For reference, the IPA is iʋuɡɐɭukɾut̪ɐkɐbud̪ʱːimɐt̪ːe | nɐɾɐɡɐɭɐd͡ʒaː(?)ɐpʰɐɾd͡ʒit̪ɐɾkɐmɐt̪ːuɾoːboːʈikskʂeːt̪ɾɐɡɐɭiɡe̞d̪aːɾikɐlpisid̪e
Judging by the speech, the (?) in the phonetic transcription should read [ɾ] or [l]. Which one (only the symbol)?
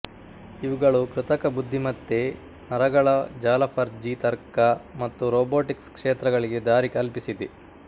l